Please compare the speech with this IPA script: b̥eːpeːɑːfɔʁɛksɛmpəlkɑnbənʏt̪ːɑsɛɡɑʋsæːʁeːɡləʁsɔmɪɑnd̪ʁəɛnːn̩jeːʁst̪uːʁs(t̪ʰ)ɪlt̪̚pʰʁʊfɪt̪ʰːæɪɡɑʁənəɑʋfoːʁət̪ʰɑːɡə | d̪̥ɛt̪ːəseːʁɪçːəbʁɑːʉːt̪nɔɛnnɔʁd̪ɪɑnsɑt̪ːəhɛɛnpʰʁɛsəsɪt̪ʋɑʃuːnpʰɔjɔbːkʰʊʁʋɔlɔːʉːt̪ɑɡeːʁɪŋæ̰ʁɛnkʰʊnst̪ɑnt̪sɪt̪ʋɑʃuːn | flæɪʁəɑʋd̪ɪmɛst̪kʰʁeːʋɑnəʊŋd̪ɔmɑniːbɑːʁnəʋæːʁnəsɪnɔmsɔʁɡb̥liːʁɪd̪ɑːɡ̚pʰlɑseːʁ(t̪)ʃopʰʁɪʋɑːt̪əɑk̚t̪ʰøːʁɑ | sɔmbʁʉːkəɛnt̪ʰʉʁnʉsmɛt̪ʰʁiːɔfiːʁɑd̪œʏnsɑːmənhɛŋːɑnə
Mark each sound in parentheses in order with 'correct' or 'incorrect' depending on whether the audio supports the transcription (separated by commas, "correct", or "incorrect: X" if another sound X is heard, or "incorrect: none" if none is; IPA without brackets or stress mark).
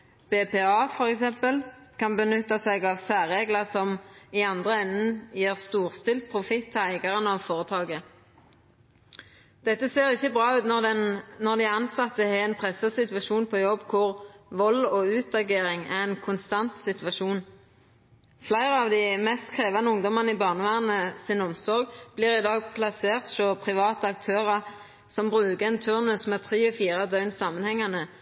incorrect: t̪, correct